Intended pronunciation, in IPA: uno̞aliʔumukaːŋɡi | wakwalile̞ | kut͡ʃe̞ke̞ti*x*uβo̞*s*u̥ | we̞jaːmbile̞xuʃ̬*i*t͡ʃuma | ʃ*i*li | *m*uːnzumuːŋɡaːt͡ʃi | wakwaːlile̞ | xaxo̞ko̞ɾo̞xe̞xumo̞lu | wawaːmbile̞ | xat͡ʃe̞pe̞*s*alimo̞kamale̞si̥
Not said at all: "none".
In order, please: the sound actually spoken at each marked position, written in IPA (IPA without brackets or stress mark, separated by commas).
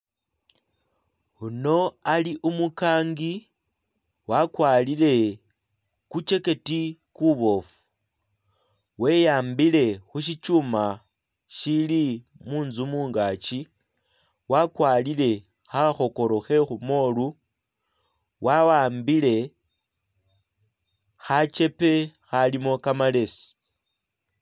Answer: k, f, i, i, m, x